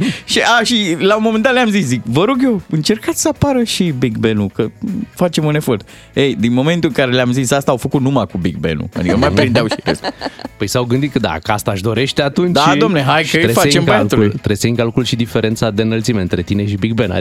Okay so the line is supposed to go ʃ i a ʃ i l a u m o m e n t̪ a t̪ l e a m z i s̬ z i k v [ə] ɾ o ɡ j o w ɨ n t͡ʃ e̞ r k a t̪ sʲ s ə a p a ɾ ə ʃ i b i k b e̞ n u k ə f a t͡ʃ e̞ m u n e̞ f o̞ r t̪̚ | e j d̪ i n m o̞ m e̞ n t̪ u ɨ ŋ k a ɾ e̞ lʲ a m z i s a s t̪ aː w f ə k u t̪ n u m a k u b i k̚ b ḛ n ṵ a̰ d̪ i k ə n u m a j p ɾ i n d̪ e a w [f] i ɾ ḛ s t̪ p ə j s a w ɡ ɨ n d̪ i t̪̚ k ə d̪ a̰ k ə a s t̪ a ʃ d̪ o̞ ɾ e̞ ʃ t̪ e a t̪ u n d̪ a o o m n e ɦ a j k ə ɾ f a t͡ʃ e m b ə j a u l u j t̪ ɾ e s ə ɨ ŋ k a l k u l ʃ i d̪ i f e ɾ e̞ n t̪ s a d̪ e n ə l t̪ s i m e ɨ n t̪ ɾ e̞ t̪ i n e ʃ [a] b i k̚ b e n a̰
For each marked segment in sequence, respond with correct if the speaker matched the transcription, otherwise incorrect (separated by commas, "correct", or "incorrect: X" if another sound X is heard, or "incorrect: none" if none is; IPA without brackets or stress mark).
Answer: correct, incorrect: ʃ, incorrect: i